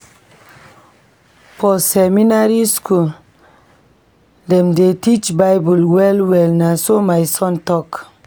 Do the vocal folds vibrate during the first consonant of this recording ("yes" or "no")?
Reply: no